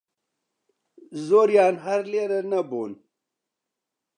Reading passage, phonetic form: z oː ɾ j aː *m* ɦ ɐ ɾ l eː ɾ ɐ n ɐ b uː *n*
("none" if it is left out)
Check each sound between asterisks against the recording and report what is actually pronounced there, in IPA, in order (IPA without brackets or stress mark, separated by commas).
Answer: n, n